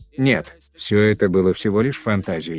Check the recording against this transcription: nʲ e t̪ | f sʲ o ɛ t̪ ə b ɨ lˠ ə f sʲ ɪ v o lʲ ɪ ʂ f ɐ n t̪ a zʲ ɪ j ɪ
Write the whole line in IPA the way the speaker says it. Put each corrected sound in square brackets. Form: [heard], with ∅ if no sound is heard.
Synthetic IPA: nʲ e t̪ | f sʲ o ɛ t̪ ə b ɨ lˠ ə f sʲ ɪ v o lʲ ɪ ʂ f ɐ n t̪ a zʲ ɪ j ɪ